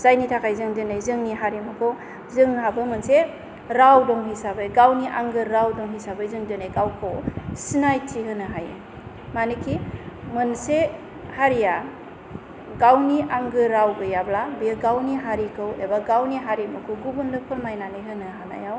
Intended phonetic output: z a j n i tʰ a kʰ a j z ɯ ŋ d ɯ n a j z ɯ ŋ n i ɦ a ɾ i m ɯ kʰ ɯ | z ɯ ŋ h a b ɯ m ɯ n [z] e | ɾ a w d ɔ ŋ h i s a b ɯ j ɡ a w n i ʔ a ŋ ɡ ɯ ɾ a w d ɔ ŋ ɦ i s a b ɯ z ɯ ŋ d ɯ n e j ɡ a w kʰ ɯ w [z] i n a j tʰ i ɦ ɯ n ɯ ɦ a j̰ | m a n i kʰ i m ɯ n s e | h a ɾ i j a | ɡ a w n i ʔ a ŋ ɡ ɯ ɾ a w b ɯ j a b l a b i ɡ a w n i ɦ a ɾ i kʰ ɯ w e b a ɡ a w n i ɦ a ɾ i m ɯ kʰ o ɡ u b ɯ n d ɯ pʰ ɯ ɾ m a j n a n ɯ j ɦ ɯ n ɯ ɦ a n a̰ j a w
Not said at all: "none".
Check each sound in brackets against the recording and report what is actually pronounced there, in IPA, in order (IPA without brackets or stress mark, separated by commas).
s, s